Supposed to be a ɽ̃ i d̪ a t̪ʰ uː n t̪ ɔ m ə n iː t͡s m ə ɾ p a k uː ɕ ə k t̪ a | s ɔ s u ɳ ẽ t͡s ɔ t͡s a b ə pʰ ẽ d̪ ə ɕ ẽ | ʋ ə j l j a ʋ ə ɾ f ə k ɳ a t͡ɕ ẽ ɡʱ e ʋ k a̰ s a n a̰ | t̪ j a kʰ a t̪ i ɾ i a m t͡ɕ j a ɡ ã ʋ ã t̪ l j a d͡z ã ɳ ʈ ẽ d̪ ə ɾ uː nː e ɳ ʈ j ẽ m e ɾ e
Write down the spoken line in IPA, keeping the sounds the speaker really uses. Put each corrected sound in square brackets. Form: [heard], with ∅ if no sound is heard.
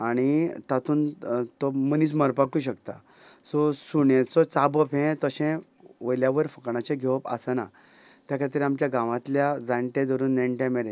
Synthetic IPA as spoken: a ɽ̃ i [t̪] a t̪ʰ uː n t̪ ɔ m ə n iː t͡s m ə ɾ p a k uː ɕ ə k t̪ a | s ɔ s u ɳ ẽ t͡s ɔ t͡s a b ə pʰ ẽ [t̪] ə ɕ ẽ | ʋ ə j l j a ʋ ə ɾ f ə k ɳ a t͡ɕ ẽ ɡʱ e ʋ [p] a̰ s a n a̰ | t̪ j a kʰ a t̪ i ɾ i a m t͡ɕ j a ɡ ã ʋ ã t̪ l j a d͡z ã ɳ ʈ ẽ d̪ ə ɾ uː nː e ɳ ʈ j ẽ m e ɾ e

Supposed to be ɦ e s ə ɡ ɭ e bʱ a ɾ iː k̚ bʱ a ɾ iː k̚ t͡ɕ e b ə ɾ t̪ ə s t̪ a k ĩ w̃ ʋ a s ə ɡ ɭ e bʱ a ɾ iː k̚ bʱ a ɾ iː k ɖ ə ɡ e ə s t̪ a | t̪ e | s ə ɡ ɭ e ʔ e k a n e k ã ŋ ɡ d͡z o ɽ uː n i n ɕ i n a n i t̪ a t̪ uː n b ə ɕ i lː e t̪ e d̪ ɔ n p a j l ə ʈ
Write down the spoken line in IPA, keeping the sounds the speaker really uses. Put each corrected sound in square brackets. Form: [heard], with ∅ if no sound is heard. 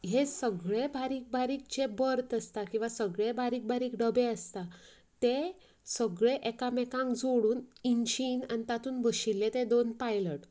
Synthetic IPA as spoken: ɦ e s ə ɡ ɭ e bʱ a ɾ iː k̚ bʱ a ɾ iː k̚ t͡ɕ e b ə ɾ t̪ ə s t̪ a k ĩ w̃ ʋ a s ə ɡ ɭ e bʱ a ɾ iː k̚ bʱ a ɾ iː k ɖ ə [b] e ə s t̪ a | t̪ e | s ə ɡ ɭ e ʔ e k a [m] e k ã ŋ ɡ d͡z o ɽ uː n i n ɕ i n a n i t̪ a t̪ uː n b ə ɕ i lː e t̪ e d̪ [o] n p a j l ə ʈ

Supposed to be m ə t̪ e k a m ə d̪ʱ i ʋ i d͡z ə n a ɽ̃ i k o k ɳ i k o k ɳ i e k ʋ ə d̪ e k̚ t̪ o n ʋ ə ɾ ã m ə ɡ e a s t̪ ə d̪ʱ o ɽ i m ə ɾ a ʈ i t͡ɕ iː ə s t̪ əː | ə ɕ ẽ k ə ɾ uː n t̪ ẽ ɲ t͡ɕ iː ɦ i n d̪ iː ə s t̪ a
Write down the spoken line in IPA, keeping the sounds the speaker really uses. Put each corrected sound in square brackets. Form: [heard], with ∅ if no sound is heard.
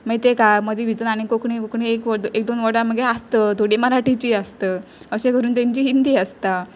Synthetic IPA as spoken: m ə t̪ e k a m ə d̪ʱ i ʋ i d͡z ə n a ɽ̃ i k o k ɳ i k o k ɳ i e k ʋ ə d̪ e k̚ [d̪] o n ʋ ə [ɽ] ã m ə ɡ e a s t̪ ə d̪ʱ o ɽ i m ə ɾ a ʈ i t͡ɕ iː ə s t̪ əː | ə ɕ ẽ k ə ɾ uː n t̪ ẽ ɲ t͡ɕ iː ɦ i n d̪ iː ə s t̪ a

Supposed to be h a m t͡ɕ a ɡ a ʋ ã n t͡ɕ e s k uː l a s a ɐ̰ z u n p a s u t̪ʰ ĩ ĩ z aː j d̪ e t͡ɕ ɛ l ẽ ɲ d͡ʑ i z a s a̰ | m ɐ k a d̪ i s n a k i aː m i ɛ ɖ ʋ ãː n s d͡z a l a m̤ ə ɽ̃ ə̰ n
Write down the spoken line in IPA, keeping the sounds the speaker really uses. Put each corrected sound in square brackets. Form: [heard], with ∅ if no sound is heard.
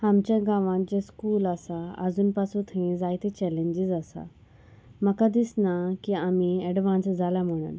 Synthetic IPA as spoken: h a m t͡ɕ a ɡ a ʋ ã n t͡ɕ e s k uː l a s a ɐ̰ z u n p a s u t̪ʰ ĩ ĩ z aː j [t̪] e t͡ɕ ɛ l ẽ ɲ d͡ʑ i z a s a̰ | m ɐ k a d̪ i s n a k i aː m i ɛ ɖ ʋ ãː n s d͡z a l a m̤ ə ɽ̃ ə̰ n

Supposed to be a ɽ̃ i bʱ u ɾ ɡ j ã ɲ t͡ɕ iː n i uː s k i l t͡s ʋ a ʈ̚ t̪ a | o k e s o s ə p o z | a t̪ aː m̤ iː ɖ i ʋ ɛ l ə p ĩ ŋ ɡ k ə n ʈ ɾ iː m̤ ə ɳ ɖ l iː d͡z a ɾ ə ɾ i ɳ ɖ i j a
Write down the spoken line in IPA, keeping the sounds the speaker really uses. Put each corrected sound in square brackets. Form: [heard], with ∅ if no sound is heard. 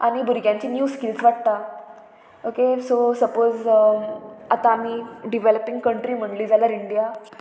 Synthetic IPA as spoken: a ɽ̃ i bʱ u ɾ ɡ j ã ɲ t͡ɕ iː n [j] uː s k i l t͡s ʋ a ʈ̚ t̪ a | o k e s o s ə p o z | a t̪ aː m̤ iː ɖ i ʋ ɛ l ə p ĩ ŋ ɡ k ə [ɳ] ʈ ɾ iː m̤ ə ɳ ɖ l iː d͡z a [l] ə ɾ i ɳ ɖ i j a

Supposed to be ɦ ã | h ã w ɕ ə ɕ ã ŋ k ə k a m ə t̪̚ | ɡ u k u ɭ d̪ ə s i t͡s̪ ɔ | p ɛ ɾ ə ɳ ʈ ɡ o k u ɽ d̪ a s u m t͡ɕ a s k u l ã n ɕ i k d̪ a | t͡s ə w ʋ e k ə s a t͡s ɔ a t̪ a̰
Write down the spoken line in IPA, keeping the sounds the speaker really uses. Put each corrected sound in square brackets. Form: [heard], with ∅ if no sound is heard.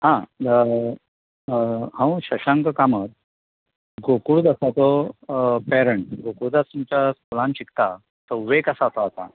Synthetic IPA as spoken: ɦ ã | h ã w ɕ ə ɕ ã ŋ k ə k a m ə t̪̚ | ɡ [o] k u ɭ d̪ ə s [a] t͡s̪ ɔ | p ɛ ɾ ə ɳ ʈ ɡ o k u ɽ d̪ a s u m t͡ɕ a s k u l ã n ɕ i k [t̪] a | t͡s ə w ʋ e k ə s a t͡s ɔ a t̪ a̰

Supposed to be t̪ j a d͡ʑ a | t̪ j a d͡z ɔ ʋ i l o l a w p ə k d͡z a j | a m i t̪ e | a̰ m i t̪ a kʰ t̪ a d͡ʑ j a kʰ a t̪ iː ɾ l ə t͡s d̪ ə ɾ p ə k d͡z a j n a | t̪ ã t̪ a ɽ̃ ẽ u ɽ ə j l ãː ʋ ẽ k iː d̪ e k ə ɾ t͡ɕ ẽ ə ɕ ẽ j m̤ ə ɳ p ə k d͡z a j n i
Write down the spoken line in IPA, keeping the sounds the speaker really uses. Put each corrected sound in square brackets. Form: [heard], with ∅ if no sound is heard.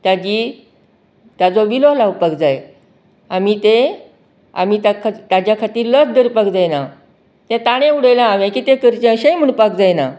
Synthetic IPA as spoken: t̪ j a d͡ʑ [i] | t̪ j a d͡z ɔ ʋ i l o l a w p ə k d͡z a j | a m i t̪ e | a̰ m i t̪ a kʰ t̪ a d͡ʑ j a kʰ a t̪ iː ɾ l ə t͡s d̪ ə ɾ p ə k d͡z a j n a | t̪ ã t̪ a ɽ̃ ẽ u ɽ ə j l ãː ʋ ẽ k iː [t̪] e k ə ɾ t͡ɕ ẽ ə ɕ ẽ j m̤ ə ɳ p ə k d͡z a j n [a]

